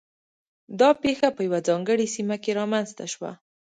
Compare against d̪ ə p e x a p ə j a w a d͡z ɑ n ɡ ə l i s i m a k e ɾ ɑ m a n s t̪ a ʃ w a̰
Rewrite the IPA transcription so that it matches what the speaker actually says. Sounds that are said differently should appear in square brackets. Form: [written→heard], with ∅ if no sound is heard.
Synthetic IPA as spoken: d̪ [ə→ɑ] p e x a p ə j a w a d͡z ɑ [n→ŋ] ɡ ə [l→ɽ] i s i m a k e ɾ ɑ m a n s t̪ a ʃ w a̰